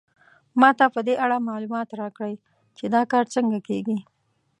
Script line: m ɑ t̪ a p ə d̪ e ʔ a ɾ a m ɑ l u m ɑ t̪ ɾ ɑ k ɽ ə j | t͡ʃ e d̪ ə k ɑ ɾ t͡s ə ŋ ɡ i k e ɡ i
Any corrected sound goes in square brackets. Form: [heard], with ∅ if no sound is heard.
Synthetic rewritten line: m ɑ t̪ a p ə d̪ e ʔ a [ɽ] a m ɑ l u m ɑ t̪ ɾ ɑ k ɽ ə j | t͡ʃ e d̪ [ɑ] k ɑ ɾ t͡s ə ŋ ɡ [a] k e ɡ i

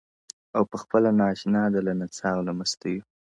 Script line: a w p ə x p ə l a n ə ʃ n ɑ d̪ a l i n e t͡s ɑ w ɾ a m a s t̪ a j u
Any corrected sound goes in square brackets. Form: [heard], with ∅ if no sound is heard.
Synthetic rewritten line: a w p ə x p ə l a n [ɑ] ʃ n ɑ d̪ a l [a] n [a] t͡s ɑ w [l] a m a s t̪ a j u

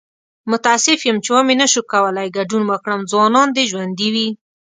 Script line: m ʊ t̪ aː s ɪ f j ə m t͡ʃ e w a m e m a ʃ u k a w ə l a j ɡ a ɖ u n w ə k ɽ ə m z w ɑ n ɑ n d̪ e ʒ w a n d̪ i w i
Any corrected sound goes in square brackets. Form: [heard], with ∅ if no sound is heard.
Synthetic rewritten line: m ʊ t̪ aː s ɪ f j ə m t͡ʃ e w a m e [n] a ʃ u k a w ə l a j ɡ a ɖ u n w ə k ɽ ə m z w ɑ n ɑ n d̪ e ʒ w a n d̪ i w i

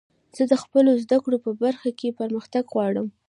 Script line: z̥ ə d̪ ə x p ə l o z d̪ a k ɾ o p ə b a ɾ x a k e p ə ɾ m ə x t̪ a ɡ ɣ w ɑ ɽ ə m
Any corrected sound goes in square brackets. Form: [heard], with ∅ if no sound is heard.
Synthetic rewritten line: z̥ ə d̪ ə x p ə l o z d̪ a k [ɽ] o p ə b a ɾ x a k e p ə ɾ m ə x t̪ a ɡ ɣ w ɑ ɽ ə m

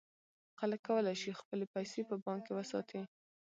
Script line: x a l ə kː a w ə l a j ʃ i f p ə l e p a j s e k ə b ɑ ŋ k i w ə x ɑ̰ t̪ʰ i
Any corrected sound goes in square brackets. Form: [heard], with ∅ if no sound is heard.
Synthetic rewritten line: x a l ə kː a w ə l a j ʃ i [x] p ə l e p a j s e [p] ə b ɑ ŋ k [e] w ə [s] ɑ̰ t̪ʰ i

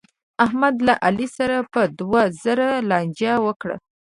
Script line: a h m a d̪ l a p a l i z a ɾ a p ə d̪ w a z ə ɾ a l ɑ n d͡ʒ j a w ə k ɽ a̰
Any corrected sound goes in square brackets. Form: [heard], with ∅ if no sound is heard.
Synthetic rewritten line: a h m a d̪ l a [ʔ] a l i [s] a ɾ a p ə d̪ w a z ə ɾ a l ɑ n d͡ʒ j a w ə k ɽ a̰

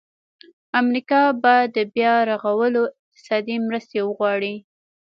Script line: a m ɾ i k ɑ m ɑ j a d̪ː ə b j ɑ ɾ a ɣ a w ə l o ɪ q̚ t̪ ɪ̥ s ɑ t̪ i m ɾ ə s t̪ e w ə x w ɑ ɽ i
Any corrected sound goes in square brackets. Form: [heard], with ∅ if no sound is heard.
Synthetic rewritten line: a m ɾ i k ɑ [b] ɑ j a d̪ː ə b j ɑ ɾ a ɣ a w ə l o ɪ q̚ t̪ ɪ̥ s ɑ [d̪] i m ɾ ə s t̪ e w ə [ɣ] w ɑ ɽ i

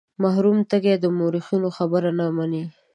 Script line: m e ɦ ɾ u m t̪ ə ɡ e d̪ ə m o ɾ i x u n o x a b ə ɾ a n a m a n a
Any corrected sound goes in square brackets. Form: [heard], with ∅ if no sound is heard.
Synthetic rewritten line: m [a] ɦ ɾ u m t̪ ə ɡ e d̪ ə m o ɾ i x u n o x a b ə ɾ a n a m a n [i]

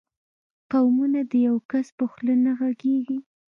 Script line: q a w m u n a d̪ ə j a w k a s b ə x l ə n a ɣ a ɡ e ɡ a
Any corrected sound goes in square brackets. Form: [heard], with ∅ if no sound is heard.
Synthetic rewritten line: q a w m u n a d̪ ə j a w k a s [p] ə x l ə n a ɣ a ɡ e ɡ [i]

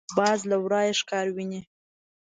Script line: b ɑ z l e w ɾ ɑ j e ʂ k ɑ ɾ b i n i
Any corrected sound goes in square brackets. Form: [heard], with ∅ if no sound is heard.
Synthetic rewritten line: b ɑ z l [a] w ɾ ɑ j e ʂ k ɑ ɾ [w] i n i

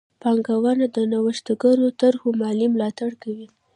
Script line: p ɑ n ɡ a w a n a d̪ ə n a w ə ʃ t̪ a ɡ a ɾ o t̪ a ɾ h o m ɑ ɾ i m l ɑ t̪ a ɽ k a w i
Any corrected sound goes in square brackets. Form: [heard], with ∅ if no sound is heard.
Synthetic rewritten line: p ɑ [ŋ] ɡ a w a n a d̪ ə n a w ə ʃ t̪ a ɡ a ɾ o t̪ a ɾ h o m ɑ [l] i m l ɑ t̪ a ɽ k a w i

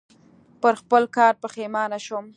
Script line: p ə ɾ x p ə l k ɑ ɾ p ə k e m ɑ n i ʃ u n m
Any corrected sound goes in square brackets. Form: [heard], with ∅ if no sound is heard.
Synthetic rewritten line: p ə ɾ x p ə l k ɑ ɾ p ə [x] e m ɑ n [a] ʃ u [∅] m

